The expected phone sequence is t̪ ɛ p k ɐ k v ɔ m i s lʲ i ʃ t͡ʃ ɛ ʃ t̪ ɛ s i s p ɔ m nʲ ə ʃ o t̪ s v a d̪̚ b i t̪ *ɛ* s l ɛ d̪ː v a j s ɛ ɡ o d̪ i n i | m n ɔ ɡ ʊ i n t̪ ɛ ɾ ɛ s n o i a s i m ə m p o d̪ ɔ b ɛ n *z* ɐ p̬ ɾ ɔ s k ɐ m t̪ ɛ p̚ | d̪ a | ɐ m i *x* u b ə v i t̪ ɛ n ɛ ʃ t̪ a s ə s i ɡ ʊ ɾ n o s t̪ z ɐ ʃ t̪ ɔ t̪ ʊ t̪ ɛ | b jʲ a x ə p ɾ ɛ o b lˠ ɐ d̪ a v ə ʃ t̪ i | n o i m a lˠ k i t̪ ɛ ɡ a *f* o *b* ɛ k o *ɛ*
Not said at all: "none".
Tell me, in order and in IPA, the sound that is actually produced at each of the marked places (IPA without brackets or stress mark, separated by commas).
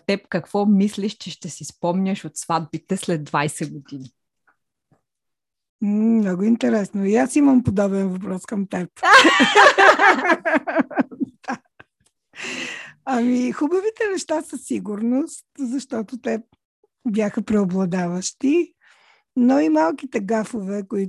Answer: ɛ, v, x, f, v, i